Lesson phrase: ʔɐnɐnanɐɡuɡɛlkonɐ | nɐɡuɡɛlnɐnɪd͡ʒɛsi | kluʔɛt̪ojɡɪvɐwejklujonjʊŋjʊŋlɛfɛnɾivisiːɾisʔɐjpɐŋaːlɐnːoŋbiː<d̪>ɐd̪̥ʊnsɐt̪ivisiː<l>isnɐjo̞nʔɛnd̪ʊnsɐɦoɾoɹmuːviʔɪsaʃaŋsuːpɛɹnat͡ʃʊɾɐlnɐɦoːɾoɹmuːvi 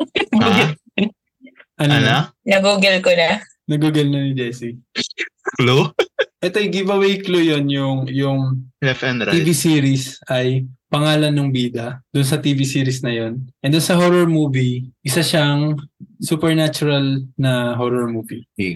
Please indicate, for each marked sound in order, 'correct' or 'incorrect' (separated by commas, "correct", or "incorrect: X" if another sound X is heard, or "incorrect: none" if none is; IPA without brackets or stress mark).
correct, incorrect: ɾ